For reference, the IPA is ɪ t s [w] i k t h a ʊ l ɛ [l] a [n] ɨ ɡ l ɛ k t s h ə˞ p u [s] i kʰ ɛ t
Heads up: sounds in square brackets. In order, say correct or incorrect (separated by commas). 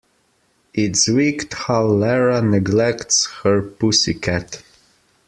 correct, incorrect, correct, correct